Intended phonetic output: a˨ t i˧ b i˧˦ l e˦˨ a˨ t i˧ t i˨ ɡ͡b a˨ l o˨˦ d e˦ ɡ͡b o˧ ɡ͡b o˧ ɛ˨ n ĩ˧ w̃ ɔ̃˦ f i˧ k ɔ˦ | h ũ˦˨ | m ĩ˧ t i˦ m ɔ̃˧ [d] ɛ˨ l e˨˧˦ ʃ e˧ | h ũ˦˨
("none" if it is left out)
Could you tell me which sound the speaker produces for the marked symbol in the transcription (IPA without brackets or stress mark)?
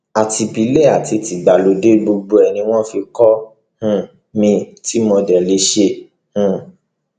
d